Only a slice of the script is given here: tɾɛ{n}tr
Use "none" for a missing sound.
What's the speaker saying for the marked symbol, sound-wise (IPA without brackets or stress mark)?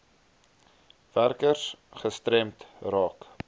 m